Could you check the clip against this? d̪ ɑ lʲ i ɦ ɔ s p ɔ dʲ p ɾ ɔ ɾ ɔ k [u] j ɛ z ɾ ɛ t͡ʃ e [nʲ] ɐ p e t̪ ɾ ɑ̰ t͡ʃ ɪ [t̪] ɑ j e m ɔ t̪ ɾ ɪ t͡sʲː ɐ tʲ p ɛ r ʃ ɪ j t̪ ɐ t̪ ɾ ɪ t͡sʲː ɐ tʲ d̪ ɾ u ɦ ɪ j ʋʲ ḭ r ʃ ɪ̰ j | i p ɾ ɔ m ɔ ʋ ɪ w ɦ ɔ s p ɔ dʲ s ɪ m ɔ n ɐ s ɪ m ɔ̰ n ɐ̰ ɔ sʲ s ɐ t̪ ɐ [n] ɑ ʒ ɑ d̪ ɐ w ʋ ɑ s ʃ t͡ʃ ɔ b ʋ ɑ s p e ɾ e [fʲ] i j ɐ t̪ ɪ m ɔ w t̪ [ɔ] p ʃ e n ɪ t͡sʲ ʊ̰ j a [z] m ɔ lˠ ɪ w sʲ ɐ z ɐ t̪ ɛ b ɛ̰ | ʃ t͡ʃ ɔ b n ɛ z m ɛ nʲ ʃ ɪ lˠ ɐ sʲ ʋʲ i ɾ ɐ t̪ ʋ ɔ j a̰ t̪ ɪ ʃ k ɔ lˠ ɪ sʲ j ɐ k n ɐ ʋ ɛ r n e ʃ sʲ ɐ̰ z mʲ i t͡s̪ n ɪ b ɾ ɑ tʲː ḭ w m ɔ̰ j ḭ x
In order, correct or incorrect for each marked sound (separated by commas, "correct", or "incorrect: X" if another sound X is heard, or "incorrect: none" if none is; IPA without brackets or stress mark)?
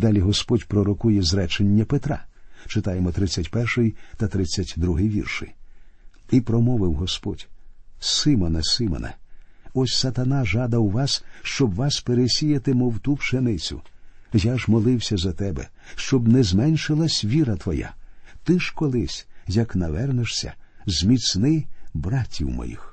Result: correct, incorrect: nʲː, correct, correct, incorrect: sʲ, incorrect: u, incorrect: ʒ